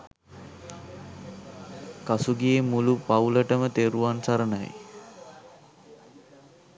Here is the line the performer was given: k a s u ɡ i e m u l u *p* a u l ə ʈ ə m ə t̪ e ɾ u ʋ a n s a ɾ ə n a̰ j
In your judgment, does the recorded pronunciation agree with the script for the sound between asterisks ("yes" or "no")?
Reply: yes